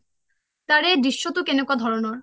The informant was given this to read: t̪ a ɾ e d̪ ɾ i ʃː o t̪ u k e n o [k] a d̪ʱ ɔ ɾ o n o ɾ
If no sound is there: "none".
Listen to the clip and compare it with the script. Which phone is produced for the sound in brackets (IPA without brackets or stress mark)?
k